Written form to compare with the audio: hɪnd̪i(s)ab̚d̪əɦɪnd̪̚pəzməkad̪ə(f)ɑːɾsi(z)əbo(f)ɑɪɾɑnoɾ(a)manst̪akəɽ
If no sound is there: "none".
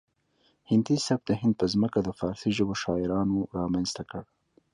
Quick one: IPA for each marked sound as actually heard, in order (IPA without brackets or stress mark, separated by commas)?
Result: s, f, ʒ, ʃ, ɑ